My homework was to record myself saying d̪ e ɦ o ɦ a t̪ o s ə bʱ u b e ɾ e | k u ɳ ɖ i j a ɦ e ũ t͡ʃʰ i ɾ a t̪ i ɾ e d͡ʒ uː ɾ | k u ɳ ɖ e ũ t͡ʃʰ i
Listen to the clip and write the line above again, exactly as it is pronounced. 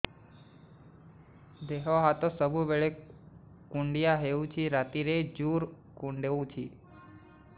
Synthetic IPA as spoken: d̪ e ɦ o ɦ a t̪ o s ə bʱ u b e ɭ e | k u ɳ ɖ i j a ɦ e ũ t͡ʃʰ i ɾ a t̪ i ɾ e d͡ʒ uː ɾ | k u ɳ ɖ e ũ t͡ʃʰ i